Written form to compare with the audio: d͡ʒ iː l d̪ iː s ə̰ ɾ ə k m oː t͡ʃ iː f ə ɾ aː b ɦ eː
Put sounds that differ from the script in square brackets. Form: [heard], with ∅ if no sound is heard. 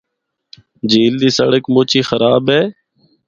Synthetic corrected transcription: d͡ʒ iː l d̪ iː s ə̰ [ɽ] ə k m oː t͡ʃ iː [x] ə ɾ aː b ɦ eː